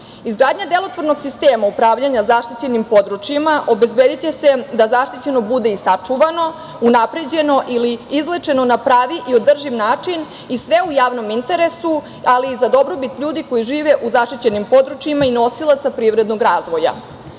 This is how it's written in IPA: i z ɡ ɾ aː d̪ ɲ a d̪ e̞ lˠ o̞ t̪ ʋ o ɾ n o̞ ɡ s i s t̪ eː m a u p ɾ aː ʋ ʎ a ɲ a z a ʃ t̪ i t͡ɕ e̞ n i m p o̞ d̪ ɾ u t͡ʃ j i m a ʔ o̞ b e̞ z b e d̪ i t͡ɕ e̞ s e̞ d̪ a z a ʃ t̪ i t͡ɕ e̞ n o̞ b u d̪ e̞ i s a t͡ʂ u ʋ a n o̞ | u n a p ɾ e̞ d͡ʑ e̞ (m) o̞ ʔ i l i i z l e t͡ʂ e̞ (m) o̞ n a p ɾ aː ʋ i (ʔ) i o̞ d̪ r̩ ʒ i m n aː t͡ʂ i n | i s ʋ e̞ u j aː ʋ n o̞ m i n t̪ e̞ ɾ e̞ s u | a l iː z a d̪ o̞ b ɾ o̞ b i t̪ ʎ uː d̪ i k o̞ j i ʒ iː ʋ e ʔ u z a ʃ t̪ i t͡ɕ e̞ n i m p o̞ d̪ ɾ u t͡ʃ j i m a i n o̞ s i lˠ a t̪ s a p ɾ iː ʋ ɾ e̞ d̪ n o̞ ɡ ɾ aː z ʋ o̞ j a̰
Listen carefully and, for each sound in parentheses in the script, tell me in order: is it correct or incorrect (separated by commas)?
incorrect, incorrect, correct